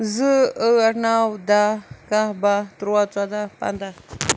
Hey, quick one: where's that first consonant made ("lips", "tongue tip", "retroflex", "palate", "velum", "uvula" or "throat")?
tongue tip